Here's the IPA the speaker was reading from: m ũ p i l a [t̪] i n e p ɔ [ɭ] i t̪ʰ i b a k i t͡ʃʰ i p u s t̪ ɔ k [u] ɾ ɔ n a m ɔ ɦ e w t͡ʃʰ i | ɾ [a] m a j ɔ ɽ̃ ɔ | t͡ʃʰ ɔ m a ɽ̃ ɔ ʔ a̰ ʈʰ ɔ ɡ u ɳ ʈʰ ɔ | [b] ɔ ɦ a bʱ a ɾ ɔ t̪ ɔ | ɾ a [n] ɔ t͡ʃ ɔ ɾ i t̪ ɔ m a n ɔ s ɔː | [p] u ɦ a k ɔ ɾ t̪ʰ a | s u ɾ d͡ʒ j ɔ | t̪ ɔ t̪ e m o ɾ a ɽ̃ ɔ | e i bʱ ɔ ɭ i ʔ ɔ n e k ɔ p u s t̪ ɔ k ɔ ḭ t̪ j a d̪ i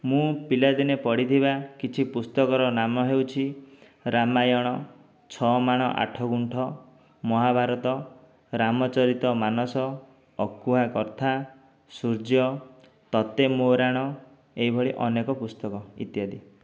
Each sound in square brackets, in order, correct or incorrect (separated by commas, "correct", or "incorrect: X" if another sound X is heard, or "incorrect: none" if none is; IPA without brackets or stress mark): incorrect: d̪, incorrect: ɽ, incorrect: ɔ, correct, incorrect: m, incorrect: m, incorrect: k